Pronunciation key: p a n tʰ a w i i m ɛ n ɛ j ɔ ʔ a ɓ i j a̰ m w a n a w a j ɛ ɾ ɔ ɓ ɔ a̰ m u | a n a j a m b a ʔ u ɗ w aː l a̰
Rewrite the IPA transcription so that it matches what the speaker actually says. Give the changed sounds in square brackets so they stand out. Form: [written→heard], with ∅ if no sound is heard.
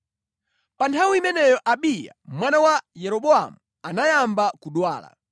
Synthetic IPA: p a n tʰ a w i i m ɛ n ɛ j ɔ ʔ a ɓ i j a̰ m w a n a w a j ɛ ɾ ɔ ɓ ɔ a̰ m u | a n a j a m b a [ʔ→k] u ɗ w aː l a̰